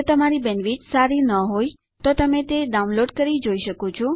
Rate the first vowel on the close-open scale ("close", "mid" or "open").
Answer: mid